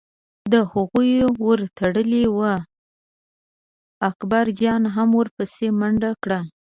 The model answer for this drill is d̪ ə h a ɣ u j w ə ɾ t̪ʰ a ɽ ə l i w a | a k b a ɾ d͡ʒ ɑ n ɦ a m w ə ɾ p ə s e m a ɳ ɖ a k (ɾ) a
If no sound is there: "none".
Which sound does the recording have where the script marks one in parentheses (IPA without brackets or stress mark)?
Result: ɽ